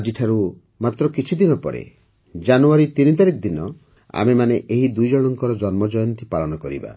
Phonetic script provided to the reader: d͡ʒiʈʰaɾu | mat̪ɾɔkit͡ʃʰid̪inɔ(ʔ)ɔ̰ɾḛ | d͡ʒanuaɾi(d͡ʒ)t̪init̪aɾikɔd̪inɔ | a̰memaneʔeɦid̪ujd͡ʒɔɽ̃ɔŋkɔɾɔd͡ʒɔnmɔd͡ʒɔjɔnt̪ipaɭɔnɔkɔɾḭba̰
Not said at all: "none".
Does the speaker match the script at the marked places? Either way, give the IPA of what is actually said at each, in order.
p, none

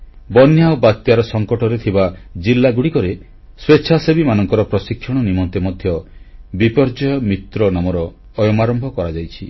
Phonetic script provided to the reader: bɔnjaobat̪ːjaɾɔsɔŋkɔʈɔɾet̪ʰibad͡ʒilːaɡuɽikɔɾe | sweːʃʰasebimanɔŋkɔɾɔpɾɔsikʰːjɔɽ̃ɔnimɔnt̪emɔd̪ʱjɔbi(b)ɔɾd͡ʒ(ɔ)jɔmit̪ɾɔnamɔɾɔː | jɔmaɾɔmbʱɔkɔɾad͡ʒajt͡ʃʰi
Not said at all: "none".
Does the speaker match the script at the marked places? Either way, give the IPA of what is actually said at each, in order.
p, ɔ

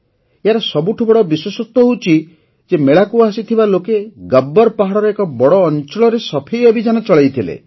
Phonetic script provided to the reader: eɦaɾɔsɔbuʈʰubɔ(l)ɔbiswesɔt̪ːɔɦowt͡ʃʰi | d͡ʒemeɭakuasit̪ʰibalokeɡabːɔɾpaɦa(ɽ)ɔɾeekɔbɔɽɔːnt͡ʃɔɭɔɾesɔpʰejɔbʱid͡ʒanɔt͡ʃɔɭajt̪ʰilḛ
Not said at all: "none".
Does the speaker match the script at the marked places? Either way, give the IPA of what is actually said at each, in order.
ɽ, ɽ

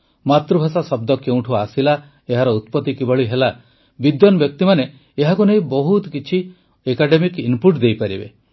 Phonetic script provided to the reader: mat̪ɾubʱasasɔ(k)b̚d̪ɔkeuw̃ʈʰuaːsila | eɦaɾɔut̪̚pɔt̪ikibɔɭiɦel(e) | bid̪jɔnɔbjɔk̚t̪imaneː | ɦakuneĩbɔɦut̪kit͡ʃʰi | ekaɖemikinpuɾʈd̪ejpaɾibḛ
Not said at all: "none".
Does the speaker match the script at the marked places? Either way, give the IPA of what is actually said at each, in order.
none, a

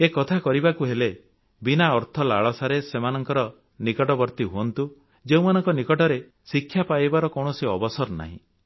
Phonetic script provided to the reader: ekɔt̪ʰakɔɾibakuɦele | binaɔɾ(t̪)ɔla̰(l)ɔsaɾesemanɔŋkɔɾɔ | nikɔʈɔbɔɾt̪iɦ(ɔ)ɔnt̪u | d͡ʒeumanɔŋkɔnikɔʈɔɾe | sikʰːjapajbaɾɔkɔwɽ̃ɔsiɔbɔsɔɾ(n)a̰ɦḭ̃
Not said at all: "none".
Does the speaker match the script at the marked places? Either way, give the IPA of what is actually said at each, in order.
t̪ʰ, ɭ, u, n

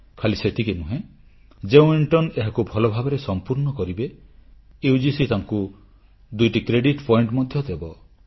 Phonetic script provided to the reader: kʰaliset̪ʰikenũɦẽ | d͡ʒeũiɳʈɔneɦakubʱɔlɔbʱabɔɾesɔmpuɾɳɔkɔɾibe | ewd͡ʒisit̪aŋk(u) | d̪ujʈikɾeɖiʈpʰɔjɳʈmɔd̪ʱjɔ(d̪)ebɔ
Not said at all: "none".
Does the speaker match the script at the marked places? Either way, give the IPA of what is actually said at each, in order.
u, d̪

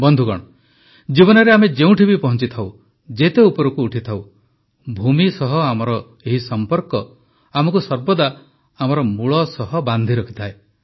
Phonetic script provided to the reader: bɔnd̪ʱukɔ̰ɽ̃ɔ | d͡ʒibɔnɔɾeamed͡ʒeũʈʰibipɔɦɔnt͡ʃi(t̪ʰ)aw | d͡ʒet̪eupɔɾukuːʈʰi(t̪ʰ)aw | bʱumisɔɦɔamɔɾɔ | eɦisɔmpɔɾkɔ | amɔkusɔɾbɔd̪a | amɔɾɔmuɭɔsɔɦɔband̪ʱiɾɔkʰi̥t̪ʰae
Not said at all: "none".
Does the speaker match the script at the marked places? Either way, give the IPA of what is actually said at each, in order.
t̪ʰ, t̪ʰ

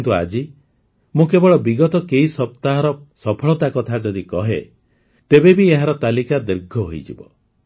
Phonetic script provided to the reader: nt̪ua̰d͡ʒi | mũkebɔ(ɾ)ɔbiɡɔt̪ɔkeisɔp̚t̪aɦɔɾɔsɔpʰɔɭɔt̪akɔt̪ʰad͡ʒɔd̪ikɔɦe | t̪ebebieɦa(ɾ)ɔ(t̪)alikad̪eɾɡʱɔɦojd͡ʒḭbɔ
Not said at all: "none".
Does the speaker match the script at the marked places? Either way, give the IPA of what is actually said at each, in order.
ɭ, ɾ, t̪

